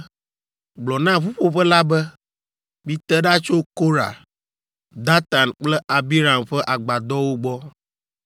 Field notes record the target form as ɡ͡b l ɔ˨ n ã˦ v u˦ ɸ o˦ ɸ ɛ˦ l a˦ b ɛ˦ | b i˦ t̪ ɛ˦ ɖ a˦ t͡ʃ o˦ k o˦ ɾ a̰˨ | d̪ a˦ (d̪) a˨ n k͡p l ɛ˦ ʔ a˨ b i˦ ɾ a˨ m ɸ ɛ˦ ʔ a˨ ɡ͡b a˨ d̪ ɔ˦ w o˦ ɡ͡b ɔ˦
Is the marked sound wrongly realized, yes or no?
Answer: yes